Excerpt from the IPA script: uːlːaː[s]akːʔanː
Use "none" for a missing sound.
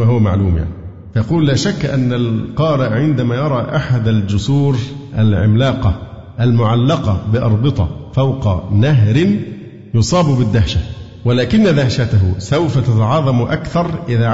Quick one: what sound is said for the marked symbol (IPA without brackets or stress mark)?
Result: ʃ